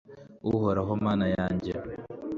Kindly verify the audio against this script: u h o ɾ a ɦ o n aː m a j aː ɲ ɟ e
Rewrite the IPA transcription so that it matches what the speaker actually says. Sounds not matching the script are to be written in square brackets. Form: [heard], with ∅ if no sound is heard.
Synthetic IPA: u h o ɾ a ɦ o [m] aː [n] a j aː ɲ ɟ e